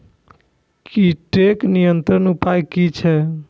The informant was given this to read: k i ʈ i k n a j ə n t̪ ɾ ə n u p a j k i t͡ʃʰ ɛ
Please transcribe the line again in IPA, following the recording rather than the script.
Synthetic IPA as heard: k i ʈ e k n i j ə n t̪ ɾ ə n u p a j k i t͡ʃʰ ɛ